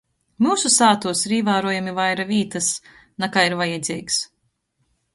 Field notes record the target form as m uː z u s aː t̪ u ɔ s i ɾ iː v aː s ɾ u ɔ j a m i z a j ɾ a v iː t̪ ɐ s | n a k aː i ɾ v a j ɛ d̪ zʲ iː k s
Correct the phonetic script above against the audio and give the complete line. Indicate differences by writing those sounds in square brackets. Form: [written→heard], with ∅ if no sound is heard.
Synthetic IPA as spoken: m uː [z→s] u s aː t̪ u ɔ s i ɾ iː v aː [s→∅] ɾ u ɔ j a m i [z→v] a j ɾ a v iː t̪ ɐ s | n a k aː i ɾ v a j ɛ d̪ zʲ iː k s